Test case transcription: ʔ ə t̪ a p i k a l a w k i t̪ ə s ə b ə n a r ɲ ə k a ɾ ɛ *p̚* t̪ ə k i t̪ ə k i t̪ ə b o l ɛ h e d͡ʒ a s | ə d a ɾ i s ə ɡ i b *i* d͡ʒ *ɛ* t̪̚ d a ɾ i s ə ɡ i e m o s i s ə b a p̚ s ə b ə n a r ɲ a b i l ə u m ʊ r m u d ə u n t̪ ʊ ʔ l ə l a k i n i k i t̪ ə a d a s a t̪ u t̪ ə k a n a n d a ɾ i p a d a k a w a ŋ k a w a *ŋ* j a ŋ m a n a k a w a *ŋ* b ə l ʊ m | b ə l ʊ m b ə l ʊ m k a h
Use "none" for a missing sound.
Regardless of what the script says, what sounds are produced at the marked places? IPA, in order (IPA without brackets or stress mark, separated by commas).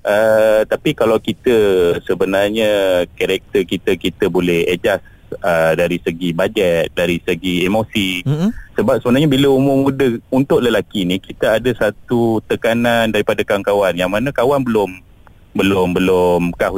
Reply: k̚, a, ɛ, n, n